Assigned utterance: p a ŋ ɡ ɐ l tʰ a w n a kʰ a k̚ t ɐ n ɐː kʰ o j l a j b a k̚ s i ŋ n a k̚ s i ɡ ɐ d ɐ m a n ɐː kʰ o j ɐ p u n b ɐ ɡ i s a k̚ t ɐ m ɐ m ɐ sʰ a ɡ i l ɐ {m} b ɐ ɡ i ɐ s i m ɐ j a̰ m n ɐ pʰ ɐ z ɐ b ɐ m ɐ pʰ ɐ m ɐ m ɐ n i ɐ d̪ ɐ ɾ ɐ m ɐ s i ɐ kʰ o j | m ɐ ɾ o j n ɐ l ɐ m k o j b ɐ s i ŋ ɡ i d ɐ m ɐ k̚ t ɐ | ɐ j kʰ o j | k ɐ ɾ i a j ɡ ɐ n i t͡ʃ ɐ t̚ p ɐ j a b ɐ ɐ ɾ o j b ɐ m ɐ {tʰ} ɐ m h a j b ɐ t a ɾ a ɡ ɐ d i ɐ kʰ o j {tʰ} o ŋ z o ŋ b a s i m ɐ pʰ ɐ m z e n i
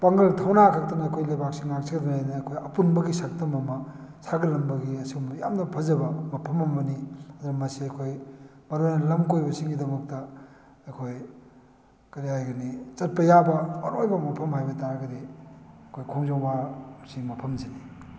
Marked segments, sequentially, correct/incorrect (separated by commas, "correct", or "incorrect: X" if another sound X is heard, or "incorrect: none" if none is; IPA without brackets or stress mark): correct, incorrect: pʰ, incorrect: kʰ